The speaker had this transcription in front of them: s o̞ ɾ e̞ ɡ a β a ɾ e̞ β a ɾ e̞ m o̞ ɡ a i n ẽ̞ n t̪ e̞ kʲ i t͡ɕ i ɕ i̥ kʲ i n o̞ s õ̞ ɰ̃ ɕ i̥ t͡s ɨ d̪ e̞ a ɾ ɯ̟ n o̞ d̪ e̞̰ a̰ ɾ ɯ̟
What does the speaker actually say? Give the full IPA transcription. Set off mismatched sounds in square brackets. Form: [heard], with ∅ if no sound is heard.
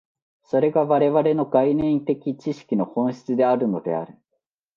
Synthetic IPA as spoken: s o̞ ɾ e̞ ɡ a β a ɾ e̞ β a ɾ e̞ [n] o̞ ɡ a i n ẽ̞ n t̪ e̞ kʲ i t͡ɕ i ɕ i̥ kʲ i n o̞ [h] õ̞ ɰ̃ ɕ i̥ t͡s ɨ d̪ e̞ a ɾ ɯ̟ n o̞ d̪ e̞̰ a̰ ɾ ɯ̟